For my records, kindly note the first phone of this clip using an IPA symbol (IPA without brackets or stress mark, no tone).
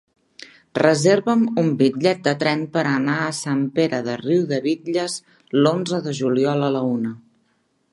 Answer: r